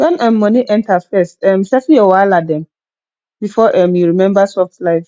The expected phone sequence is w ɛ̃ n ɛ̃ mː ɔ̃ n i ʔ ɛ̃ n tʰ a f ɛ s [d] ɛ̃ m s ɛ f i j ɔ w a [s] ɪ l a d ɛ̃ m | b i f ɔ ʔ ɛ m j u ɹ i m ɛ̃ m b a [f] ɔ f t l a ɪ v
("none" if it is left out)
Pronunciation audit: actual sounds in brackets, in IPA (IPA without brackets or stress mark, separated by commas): t, none, s